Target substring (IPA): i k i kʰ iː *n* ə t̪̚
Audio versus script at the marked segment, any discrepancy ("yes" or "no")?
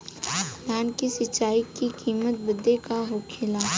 yes